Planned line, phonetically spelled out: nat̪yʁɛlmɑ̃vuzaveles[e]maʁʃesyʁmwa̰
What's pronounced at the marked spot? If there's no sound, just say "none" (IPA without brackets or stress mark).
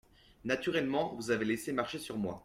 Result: e